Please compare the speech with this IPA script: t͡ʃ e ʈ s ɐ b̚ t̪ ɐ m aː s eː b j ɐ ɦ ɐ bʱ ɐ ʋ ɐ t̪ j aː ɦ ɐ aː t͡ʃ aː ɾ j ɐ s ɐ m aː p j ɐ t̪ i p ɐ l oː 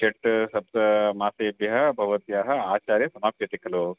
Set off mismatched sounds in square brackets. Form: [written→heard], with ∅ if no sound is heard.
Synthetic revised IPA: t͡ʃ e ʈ s ɐ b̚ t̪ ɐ m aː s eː b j ɐ ɦ ɐ bʱ ɐ ʋ ɐ t̪ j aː ɦ ɐ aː t͡ʃ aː ɾ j ɐ s ɐ m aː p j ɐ t̪ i [p→k] ɐ l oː